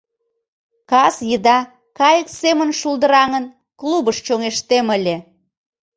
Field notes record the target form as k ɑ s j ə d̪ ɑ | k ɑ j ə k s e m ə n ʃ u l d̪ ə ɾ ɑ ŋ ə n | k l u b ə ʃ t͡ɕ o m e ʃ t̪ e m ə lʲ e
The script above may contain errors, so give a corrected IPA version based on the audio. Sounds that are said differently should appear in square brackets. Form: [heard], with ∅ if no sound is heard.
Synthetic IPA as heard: k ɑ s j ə d̪ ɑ | k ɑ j ə k s e m ə n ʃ u l d̪ ə ɾ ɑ ŋ ə n | k l u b ə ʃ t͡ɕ o [ŋ] e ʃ t̪ e m ə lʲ e